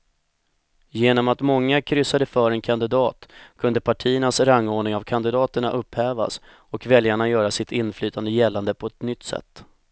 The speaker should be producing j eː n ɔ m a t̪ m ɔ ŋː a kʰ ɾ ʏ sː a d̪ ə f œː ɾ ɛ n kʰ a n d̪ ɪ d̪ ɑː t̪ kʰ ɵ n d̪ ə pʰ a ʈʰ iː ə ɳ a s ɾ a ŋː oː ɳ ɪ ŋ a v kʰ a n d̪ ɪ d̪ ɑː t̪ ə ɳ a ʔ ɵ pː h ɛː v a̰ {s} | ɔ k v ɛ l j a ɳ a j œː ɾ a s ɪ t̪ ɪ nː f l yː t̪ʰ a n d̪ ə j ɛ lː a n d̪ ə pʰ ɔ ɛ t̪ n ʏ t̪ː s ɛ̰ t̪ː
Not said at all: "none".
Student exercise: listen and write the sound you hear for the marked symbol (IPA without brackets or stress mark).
s